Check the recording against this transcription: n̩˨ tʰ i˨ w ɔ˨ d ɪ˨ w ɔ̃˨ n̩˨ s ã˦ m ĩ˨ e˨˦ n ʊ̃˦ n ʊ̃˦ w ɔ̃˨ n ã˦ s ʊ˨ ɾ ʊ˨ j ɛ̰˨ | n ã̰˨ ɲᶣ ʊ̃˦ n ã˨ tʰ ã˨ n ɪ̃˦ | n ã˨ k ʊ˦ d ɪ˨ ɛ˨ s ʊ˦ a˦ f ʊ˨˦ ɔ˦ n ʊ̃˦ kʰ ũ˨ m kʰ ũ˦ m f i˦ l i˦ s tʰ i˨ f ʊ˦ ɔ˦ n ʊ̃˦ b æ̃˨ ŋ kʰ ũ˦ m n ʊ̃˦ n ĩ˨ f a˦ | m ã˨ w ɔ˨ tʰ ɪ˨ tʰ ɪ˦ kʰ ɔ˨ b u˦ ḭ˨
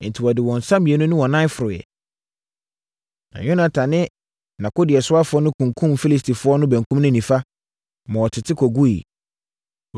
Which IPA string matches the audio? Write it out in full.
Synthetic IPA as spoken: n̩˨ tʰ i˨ w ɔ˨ d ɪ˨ w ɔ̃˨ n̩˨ s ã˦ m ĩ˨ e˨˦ n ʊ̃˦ n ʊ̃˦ w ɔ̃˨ n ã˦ f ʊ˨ ɾ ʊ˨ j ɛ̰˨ | n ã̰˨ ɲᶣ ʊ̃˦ n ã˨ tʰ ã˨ n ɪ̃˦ | n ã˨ k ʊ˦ d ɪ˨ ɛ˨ s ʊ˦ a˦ f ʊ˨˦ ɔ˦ n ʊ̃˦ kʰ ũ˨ ŋ kʰ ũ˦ m f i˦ l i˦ s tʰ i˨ f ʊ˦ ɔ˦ n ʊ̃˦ b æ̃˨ ŋ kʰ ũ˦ m n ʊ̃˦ n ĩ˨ f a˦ | m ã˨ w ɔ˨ tʰ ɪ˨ tʰ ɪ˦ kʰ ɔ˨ ɡ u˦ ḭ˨

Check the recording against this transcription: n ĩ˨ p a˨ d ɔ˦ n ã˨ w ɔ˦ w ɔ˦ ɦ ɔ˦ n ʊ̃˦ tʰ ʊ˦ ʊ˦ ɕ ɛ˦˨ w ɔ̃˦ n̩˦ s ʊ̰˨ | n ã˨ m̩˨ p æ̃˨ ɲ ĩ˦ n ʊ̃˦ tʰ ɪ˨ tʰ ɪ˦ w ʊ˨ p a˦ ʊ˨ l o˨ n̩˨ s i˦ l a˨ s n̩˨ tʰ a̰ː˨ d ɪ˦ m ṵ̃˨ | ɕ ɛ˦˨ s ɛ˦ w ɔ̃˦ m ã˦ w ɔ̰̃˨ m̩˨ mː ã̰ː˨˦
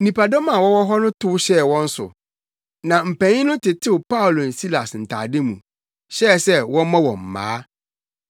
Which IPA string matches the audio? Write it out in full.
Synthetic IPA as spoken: n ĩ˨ p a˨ d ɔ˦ m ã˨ w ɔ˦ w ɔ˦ ɦ ɔ˦ n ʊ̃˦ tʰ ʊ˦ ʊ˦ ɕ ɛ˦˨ w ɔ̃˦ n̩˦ s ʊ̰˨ | n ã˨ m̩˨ p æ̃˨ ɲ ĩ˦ n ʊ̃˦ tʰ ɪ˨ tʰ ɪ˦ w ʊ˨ p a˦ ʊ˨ l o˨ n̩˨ s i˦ l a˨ s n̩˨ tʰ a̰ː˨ d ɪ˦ m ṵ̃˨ | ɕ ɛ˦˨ s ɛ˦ w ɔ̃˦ m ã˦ w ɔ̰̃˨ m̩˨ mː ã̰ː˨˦

